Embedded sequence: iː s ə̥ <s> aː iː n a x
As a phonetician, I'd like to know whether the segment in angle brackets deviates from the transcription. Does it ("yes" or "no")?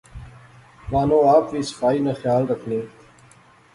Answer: yes